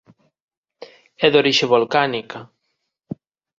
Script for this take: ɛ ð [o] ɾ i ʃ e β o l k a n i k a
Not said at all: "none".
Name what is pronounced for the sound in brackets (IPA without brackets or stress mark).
o